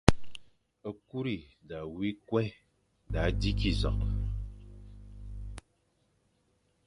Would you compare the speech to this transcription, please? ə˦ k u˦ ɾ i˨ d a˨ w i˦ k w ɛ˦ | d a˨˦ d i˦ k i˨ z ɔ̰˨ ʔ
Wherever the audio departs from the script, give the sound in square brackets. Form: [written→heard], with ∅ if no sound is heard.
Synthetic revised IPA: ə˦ k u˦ ɾ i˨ d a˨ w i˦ k w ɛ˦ | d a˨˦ d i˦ k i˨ z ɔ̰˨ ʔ